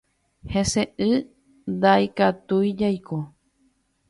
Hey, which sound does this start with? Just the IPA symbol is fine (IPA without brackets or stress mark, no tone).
h